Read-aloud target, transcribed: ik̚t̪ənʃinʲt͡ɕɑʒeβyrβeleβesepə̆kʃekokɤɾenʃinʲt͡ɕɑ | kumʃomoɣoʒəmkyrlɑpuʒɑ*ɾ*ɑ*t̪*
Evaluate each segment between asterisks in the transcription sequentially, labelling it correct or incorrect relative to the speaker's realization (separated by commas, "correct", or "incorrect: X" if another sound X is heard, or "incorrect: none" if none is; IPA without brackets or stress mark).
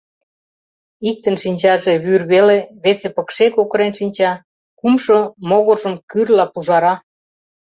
correct, incorrect: none